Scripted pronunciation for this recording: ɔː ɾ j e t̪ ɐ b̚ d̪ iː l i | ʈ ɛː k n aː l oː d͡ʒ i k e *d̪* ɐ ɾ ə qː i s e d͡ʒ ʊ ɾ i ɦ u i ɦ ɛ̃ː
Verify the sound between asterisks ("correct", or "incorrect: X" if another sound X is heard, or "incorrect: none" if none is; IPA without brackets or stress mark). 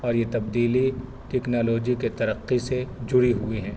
incorrect: t̪